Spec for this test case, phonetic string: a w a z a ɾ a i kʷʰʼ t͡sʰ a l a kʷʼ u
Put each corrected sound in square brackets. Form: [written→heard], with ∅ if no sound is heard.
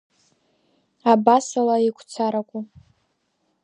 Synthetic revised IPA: a [w→b] a [z→s] a [ɾ→l] a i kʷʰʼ t͡sʰ a [l→ɾ] a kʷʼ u